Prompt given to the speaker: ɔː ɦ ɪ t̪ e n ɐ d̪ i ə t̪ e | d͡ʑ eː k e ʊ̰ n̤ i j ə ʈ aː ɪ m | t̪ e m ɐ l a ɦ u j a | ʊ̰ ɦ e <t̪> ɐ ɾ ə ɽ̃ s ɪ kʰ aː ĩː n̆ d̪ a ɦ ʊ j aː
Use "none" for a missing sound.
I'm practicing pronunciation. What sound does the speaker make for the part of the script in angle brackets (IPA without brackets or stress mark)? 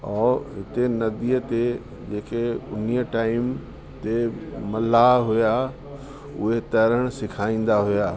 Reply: t̪